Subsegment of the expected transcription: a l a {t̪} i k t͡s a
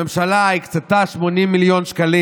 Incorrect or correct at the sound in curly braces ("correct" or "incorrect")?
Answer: incorrect